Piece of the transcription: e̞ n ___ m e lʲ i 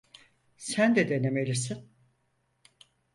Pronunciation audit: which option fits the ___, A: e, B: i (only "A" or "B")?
A